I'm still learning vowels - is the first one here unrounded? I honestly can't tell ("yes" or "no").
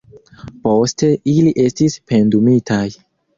no